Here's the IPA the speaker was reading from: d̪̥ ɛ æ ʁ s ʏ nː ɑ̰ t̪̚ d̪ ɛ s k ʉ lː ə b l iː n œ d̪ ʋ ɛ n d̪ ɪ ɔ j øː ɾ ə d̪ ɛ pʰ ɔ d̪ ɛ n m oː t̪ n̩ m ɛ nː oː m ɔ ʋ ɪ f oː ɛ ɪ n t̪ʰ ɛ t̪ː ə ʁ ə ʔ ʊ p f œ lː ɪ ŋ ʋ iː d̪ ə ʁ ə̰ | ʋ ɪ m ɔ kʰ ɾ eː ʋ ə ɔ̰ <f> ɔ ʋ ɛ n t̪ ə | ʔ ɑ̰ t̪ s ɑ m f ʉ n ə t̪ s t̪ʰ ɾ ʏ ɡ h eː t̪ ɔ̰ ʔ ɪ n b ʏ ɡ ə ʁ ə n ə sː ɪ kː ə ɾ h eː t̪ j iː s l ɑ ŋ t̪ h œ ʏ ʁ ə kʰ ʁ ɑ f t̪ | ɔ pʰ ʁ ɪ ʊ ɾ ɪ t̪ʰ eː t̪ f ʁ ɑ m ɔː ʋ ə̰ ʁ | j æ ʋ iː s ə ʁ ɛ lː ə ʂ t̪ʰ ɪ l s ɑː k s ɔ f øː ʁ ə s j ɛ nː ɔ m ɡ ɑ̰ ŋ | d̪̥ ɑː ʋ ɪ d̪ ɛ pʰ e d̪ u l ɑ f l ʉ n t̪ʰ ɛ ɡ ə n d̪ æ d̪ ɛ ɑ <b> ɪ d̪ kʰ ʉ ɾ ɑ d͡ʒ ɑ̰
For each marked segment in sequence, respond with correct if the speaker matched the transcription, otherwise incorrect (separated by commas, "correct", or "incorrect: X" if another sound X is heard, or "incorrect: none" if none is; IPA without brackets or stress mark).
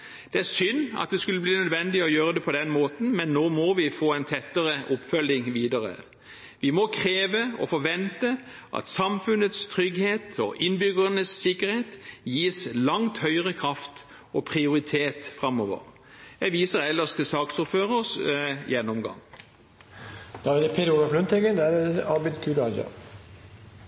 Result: correct, correct